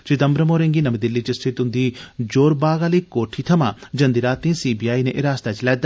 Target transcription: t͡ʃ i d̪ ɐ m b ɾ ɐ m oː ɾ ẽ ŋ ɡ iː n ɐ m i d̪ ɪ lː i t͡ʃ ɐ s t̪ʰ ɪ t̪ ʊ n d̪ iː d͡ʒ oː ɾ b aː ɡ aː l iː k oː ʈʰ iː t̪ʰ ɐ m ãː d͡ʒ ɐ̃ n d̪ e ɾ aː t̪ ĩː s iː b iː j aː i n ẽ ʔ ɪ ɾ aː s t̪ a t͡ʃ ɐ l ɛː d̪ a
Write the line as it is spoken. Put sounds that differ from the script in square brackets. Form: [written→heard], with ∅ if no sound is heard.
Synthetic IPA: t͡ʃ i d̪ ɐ m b ɾ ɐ m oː ɾ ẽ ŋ ɡ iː n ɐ m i d̪ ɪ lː i t͡ʃ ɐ s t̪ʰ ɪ t̪ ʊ n d̪ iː d͡ʒ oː ɾ b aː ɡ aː l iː k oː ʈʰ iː t̪ʰ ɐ m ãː d͡ʒ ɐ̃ n d̪ [e→i] ɾ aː t̪ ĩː s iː b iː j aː i n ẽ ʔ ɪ ɾ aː s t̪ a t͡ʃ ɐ l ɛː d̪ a